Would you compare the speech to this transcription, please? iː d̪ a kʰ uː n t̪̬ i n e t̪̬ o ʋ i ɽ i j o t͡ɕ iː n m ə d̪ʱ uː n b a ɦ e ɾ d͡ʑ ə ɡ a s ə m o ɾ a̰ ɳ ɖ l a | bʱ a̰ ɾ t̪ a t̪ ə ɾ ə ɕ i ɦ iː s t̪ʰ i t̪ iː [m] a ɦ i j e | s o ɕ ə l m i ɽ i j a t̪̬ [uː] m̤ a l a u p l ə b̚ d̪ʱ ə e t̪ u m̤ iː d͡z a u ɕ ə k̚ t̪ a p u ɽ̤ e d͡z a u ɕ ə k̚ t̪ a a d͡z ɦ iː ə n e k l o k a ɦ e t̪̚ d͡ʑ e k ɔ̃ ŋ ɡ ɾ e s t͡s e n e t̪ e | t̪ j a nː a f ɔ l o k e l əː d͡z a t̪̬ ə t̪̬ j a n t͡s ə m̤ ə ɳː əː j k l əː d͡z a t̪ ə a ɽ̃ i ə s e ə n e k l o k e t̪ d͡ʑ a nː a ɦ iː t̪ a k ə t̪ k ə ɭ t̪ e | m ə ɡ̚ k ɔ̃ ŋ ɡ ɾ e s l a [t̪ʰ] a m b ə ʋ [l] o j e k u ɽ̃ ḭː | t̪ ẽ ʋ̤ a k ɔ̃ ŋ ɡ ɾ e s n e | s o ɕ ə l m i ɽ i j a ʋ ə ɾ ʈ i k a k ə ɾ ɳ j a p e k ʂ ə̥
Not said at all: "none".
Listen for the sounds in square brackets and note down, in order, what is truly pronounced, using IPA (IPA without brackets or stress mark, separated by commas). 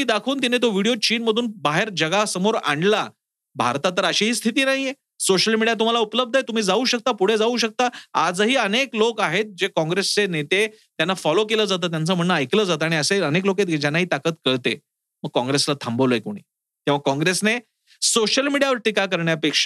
n, u, t̪ʰ, l